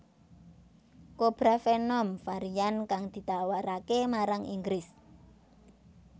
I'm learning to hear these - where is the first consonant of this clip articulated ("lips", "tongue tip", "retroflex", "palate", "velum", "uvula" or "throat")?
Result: velum